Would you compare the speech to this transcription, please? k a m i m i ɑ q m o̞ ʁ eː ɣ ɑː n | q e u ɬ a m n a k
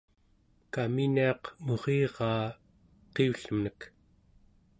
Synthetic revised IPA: k a m i n i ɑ q m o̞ ʁ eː ʁ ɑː | q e u ɬ ə m n ə k